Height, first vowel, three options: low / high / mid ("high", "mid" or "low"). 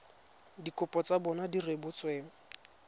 high